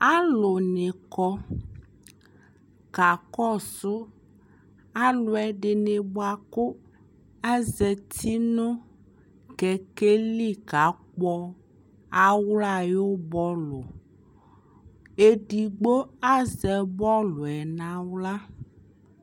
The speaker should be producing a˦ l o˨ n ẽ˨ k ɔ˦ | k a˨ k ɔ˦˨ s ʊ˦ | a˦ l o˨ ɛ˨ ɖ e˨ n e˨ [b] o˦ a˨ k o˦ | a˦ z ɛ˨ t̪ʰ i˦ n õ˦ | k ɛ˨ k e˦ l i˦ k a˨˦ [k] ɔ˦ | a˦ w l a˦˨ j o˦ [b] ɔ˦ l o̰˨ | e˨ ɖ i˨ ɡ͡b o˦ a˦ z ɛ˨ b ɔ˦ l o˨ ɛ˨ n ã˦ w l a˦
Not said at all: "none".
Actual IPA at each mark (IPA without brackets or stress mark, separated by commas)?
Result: b, k͡p, b